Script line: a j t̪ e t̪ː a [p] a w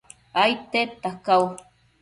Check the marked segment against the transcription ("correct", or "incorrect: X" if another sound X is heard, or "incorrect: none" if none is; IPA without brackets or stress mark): incorrect: k